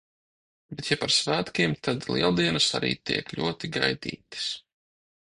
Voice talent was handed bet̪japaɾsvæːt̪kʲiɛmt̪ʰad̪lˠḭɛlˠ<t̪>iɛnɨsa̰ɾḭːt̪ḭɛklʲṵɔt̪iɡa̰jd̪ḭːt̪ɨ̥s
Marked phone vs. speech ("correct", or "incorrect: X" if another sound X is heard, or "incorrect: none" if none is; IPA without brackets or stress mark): incorrect: d̪